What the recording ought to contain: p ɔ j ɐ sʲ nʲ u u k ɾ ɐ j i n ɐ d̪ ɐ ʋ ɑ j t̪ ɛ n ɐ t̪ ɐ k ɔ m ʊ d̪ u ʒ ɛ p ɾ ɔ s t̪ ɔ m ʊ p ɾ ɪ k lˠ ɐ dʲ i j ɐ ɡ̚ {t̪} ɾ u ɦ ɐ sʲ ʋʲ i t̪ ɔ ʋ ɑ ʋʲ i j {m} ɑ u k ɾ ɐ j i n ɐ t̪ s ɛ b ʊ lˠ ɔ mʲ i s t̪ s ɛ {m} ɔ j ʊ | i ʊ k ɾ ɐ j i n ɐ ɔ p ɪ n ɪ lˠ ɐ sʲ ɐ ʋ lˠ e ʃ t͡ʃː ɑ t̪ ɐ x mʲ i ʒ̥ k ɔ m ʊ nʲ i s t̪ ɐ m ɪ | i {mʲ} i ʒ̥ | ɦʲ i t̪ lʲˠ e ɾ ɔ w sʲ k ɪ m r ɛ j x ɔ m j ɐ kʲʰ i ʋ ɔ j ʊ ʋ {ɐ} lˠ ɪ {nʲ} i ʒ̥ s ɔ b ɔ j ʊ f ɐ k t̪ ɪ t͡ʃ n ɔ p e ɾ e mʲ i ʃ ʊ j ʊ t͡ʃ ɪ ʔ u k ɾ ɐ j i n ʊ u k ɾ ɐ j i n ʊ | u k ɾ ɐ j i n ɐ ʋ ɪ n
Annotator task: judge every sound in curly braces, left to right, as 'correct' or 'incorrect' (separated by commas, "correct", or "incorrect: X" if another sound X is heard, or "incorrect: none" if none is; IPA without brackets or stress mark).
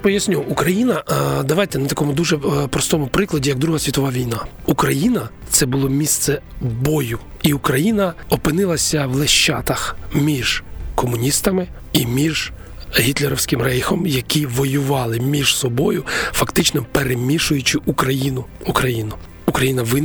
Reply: incorrect: d̪, incorrect: n, incorrect: b, correct, incorrect: ɑ, incorrect: mʲ